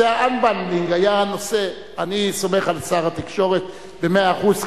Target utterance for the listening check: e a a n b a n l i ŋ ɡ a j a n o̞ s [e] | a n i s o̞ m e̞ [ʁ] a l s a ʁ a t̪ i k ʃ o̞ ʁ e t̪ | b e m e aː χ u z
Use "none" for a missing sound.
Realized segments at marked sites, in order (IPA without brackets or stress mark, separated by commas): e, χ